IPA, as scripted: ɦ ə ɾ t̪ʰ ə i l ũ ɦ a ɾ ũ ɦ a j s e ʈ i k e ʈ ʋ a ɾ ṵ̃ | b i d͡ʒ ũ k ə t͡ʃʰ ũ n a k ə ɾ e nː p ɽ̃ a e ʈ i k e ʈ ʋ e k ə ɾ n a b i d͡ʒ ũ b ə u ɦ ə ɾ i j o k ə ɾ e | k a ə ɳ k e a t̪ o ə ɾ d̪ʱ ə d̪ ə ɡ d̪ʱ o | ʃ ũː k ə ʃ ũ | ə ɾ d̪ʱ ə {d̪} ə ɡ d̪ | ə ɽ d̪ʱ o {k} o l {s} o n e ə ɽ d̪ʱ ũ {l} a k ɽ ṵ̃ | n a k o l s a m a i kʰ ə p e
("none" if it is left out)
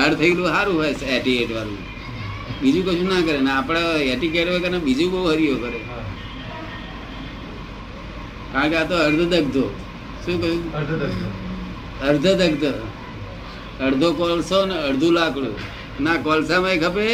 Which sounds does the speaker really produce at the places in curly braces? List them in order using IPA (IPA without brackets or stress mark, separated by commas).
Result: d̪, k, s, l